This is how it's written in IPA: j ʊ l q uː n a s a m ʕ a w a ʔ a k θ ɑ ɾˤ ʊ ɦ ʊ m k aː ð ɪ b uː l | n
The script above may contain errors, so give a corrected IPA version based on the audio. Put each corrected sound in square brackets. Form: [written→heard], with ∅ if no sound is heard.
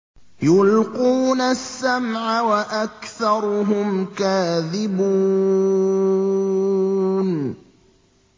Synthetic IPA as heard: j ʊ l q uː n a [s→sː] a m ʕ a w a ʔ a k θ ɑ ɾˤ ʊ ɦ ʊ m k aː ð ɪ b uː [l→∅] | n